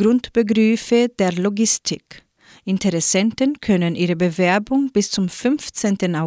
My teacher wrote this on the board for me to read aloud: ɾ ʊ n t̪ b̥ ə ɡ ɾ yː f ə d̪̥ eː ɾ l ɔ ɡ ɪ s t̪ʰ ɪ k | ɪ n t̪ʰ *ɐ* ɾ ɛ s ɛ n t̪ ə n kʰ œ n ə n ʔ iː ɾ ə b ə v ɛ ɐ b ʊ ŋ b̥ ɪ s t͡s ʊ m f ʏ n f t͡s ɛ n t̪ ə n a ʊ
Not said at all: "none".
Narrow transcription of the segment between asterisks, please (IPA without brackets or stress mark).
ə